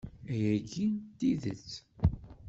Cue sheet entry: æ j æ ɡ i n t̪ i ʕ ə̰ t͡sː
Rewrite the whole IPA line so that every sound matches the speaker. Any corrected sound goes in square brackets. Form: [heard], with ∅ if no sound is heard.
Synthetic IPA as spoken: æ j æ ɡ i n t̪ i [ð] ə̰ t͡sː